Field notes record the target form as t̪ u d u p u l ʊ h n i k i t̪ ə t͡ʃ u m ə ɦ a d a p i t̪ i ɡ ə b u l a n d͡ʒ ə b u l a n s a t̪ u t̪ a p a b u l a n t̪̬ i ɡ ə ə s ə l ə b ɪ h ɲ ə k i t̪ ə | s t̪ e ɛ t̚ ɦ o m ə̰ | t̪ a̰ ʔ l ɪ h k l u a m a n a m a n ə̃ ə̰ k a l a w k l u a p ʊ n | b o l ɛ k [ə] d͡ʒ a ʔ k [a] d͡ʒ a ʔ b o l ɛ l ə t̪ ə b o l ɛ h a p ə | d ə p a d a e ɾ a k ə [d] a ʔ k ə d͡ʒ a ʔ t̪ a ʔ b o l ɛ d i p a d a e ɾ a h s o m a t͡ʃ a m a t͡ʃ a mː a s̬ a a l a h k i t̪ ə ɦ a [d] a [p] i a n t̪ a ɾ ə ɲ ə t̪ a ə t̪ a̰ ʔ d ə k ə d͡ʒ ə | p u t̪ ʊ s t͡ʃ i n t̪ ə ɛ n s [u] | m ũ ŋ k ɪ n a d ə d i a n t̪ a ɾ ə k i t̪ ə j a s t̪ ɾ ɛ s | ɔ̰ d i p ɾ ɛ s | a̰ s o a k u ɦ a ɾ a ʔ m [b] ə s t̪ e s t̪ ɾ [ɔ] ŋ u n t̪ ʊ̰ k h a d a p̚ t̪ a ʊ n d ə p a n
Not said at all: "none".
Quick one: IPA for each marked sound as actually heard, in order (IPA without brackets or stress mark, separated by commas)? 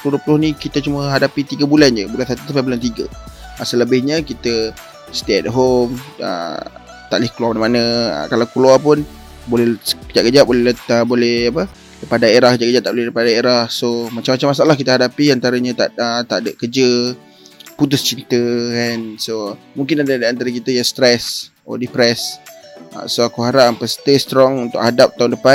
ə, ə, d͡ʒ, d, p, o, p, ɔ